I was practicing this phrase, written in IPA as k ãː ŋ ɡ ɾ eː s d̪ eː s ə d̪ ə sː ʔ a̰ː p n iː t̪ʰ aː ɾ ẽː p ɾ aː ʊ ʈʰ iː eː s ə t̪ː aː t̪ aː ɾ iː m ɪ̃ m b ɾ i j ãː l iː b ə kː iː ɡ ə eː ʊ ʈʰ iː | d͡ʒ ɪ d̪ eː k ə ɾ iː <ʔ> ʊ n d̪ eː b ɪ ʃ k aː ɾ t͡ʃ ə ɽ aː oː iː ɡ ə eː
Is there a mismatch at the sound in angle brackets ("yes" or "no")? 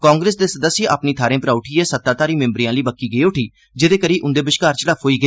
no